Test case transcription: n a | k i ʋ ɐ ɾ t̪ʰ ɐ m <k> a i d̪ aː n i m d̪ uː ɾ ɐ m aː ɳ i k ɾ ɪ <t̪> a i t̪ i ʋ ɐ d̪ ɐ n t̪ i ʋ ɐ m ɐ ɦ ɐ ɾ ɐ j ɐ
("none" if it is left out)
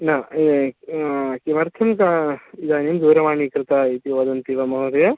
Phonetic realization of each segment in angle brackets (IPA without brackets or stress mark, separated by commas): k, t̪